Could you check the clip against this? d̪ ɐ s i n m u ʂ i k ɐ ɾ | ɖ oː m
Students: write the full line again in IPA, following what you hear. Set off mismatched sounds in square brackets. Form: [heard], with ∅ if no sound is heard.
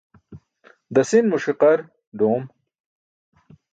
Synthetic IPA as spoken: d̪ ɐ s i n m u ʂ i [q] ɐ ɾ | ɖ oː m

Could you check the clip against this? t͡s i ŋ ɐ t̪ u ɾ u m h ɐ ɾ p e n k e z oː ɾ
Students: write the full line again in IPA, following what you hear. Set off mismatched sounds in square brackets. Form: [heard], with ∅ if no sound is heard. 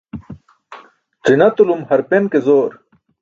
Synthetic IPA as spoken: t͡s i [n] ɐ t̪ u [l] u m h ɐ ɾ p e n k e z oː ɾ

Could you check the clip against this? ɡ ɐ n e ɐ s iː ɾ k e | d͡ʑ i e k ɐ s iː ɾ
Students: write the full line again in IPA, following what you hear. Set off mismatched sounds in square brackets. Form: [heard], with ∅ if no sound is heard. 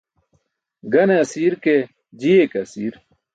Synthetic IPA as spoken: ɡ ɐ n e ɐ s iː ɾ k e | d͡ʑ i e k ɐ s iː ɾ

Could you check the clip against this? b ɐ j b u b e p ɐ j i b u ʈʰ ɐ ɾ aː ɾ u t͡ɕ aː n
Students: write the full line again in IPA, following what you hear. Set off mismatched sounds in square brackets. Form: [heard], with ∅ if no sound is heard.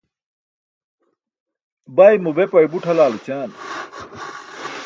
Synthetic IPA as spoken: b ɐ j [m] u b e p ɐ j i b u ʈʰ ɐ [l] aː [l] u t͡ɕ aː n

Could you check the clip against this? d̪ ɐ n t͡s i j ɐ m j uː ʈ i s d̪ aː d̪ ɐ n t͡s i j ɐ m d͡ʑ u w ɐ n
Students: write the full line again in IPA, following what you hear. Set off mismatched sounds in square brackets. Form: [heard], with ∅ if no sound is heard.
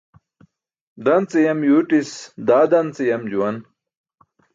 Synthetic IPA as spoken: d̪ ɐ n t͡s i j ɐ m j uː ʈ i s d̪ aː d̪ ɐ n t͡s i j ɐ m d͡ʑ u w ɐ n

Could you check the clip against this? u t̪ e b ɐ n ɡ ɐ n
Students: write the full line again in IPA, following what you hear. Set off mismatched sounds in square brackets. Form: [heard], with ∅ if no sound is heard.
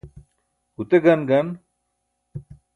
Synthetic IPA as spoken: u t̪ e [ɡ] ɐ n ɡ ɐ n

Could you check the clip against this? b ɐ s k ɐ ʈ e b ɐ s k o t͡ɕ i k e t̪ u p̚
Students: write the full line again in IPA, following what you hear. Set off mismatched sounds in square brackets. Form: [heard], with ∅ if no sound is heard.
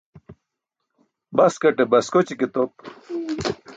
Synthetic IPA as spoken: b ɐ s k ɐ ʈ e b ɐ s k o t͡ɕ i k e t̪ [o] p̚

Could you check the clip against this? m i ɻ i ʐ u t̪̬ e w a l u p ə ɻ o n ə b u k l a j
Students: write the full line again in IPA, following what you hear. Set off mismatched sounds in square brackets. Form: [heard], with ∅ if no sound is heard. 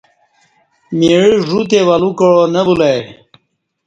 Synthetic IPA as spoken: m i ɻ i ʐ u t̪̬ e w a l u [k] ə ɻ o n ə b u [∅] l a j

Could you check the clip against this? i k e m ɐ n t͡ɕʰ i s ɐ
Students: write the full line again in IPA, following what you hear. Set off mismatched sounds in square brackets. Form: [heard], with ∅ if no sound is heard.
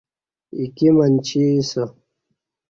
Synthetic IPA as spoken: i k [i] m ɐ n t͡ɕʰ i s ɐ

